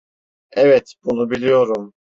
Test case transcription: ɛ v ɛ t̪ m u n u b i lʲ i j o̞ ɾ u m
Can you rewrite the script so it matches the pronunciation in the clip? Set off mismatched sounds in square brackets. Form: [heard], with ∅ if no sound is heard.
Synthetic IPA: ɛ v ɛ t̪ [b] u n u b i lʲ i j o̞ ɾ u m